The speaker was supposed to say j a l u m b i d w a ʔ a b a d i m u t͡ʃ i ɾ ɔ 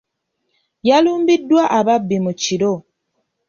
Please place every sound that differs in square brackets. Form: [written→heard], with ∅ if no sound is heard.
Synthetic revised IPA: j a l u m b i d w a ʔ a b a [d→b] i m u t͡ʃ i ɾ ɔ

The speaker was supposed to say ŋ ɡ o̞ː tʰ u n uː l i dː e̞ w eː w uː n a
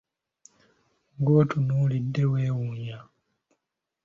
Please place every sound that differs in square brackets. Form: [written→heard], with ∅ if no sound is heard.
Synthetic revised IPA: ŋ ɡ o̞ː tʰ u n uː l i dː e̞ w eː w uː [n→ɲ] a

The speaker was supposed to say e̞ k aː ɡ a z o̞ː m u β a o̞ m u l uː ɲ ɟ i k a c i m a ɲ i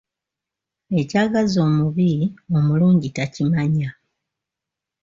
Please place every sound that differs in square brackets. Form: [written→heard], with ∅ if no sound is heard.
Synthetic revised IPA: e̞ [k→c] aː ɡ a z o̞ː m u β [a→i] o̞ m u l uː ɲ ɟ i [k→t] a c i m a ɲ [i→a]

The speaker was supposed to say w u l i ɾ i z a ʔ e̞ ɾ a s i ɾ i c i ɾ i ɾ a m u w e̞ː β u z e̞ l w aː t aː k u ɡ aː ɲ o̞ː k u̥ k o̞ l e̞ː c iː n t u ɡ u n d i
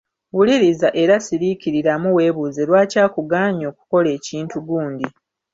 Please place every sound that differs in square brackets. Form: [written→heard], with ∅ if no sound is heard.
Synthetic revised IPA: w u l i ɾ i z a ʔ e̞ ɾ a s i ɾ i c i ɾ i ɾ a m u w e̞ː β u z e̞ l w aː [t→c] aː k u ɡ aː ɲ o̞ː k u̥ k o̞ l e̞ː c iː n t u ɡ [u→uː] n d i

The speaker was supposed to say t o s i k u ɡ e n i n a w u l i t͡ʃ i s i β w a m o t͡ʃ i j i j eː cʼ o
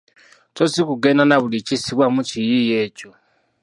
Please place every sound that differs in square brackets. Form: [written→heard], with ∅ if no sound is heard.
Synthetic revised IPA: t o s i k u ɡ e n [i→a] n a [w→β] u l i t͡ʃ i s i β w a m [o→u] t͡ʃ i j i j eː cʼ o

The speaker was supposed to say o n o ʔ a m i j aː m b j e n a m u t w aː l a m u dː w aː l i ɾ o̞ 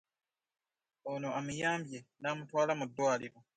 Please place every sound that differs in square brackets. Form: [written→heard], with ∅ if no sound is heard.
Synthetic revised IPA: o n o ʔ a m i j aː m b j e n a m u t w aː l a m u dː w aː l i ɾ o̞

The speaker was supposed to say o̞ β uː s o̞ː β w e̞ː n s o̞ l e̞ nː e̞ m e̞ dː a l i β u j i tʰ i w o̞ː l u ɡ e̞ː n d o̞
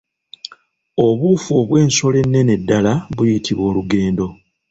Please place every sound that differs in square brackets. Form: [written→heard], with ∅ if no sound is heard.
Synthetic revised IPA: o̞ β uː [s→f] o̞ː β w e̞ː n s o̞ l e̞ nː e̞ [m→n] e̞ dː a l [i→a] β u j i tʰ i [w→β] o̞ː l u ɡ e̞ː n d o̞

